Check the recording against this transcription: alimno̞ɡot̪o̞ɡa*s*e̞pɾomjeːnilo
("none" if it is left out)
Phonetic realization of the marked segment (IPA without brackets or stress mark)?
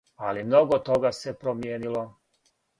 s